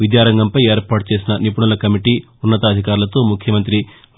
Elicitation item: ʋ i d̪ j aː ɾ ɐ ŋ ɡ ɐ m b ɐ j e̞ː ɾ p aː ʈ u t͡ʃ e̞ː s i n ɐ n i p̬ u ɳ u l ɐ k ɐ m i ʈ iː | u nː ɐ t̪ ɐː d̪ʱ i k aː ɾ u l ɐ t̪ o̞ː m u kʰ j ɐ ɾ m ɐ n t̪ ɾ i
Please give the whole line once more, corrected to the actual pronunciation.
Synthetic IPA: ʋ i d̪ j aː ɾ ɐ ŋ ɡ ɐ m p ɐ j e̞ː ɾ p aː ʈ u t͡ʃ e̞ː s i n ɐ n i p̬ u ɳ u l ɐ k ɐ m i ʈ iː | u nː ɐ t̪ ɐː d̪ʱ i k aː ɾ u l ɐ t̪ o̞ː m u kʰ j ɐ m ɐ n t̪ ɾ i

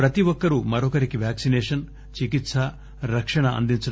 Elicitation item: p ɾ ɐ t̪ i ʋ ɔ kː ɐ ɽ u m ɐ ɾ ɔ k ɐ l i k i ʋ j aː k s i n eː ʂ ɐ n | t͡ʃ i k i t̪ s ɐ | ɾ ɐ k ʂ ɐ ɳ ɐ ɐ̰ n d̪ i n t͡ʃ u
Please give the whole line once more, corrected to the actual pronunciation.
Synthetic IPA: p ɾ ɐ t̪ i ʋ ɔ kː ɐ ɾ u m ɐ ɾ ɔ k ɐ ɾ i k i ʋ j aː k s i n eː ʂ ɐ n | t͡ʃ i k i t̪ s ɐ | ɾ ɐ k ʂ ɐ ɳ ɐ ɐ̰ n d̪ i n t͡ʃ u

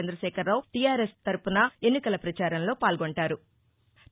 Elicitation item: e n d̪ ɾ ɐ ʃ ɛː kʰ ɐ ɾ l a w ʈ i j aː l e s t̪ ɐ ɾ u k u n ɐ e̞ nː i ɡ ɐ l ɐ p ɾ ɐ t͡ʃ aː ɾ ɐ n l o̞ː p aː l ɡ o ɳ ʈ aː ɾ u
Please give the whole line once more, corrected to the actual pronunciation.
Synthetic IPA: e n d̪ ɾ ɐ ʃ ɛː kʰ ɐ ɾ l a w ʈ i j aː ɾ e s t̪ ɐ ɾ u p u n ɐ e̞ nː i k ɐ l ɐ p ɾ ɐ t͡ʃ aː ɾ ɐ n l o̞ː p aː l ɡ o ɳ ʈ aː ɾ u

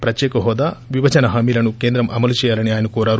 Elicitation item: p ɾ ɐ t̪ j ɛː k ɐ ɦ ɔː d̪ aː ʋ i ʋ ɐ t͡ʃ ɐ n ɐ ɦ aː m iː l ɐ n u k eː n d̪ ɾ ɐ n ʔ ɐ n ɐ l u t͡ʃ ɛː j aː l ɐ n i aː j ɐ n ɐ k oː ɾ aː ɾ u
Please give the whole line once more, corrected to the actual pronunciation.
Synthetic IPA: p ɾ ɐ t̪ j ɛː k ɐ ɦ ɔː d̪ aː ʋ i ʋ ɐ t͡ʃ ɐ n ɐ ɦ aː m iː l ɐ n u k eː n d̪ ɾ ɐ m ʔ ɐ m ɐ l u t͡ʃ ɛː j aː l ɐ n i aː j ɐ n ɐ k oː ɾ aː ɾ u

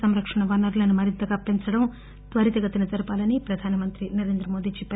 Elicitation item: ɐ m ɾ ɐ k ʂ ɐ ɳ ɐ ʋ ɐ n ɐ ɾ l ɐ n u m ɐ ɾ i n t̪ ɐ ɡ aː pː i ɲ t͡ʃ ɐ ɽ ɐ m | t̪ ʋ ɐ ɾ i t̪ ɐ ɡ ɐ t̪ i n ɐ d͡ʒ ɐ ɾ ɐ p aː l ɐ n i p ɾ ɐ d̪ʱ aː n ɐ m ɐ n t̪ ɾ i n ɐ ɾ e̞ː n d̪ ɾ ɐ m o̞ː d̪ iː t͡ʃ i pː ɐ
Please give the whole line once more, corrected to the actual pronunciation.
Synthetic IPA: ɐ m ɾ ɐ k ʂ ɐ ɳ ɐ ʋ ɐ n ɐ ɾ l ɐ n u m ɐ ɾ i n t̪ ɐ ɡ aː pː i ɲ t͡ʃ ɐ ɽ ɐ m | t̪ ʋ ɐ ɾ i t̪ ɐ ɡ ɐ t̪ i n ɐ d͡ʒ ɐ ɾ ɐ p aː l ɐ n i p ɾ ɐ d̪ʱ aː n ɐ m ɐ n t̪ ɾ i n ɐ ɾ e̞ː n d̪ ɾ ɐ m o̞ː d̪ iː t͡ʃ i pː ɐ

